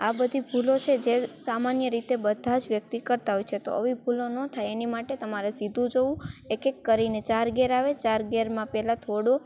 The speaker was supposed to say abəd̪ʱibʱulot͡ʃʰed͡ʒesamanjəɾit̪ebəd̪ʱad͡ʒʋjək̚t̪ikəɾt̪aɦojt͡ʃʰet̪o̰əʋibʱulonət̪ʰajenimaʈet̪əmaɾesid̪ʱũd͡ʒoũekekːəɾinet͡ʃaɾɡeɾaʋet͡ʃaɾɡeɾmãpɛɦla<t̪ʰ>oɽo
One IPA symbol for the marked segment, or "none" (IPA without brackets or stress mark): t̪ʰ